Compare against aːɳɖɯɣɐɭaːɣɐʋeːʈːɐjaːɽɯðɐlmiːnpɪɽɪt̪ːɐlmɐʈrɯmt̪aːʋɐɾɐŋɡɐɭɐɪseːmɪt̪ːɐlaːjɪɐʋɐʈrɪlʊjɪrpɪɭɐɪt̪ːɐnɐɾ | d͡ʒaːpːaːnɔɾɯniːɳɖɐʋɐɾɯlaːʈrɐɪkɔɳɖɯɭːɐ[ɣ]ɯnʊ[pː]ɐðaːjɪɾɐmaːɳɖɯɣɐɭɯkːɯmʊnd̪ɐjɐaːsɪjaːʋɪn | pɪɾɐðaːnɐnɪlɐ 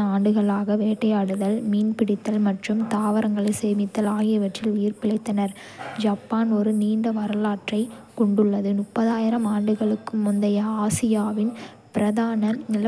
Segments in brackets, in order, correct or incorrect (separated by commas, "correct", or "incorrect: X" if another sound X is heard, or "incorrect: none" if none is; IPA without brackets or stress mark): incorrect: ð, correct